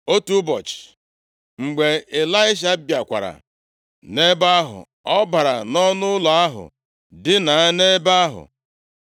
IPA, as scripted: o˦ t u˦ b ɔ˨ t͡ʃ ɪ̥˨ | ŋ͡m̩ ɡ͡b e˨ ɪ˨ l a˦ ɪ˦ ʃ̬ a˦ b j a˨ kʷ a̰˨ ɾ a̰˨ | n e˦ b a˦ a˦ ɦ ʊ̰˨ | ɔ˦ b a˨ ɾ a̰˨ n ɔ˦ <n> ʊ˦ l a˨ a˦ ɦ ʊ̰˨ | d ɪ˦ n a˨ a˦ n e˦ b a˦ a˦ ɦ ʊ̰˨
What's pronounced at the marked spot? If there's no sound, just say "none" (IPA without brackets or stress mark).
n